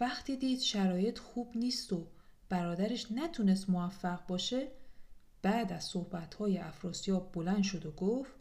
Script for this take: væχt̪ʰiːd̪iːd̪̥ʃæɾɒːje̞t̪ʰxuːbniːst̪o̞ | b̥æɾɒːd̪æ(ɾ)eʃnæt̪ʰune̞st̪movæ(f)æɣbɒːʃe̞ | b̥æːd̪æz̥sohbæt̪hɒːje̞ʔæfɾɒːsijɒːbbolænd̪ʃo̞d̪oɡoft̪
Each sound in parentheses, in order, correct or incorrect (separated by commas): correct, incorrect